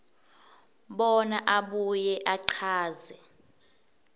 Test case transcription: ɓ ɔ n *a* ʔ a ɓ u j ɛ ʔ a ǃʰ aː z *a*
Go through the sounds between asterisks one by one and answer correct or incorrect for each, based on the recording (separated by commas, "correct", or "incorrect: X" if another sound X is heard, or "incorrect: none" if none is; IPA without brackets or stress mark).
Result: correct, incorrect: ɛ